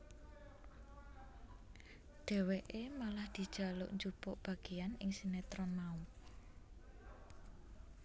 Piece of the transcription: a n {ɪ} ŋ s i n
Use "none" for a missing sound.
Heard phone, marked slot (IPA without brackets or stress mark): ɪ